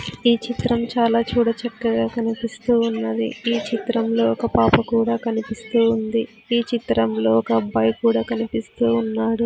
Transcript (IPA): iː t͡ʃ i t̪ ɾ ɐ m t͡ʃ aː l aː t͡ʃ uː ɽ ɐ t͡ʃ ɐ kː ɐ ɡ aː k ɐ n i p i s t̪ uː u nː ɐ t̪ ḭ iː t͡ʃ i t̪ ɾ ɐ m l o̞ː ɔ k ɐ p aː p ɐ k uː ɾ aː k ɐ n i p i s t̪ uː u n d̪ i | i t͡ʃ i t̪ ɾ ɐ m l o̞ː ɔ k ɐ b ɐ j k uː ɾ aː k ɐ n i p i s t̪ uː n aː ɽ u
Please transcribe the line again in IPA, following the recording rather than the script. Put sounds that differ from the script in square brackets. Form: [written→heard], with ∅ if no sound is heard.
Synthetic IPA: iː t͡ʃ i t̪ ɾ ɐ m t͡ʃ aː l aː t͡ʃ uː ɽ ɐ t͡ʃ ɐ kː ɐ ɡ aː k ɐ n i p i s t̪ uː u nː ɐ [t̪→d̪] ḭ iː t͡ʃ i t̪ ɾ ɐ m l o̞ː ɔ k ɐ p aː p ɐ k uː [ɾ→ɽ] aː k ɐ n i p i s t̪ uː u n d̪ i | [i→iː] t͡ʃ i t̪ ɾ ɐ m l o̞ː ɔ k ɐ b ɐ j k uː [ɾ→ɽ] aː k ɐ n i p i s t̪ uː [n→nː] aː ɽ u

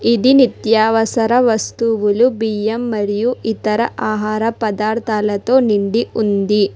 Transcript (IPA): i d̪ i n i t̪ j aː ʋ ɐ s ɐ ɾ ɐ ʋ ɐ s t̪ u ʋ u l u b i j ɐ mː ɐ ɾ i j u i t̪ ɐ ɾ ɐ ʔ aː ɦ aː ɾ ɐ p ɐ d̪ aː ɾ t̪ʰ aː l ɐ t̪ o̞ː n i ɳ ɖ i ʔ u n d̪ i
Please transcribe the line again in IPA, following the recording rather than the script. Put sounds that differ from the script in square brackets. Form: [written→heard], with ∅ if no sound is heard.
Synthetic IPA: i d̪ i n i t̪ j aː ʋ ɐ s ɐ ɾ ɐ ʋ ɐ s t̪ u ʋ u l u b i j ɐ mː ɐ ɾ i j u i t̪ ɐ ɾ ɐ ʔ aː ɦ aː ɾ ɐ p ɐ d̪ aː ɾ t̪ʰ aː l ɐ t̪ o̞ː n i ɳ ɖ i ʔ u n d̪ i

